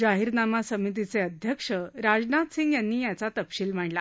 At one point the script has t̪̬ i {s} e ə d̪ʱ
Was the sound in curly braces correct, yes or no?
no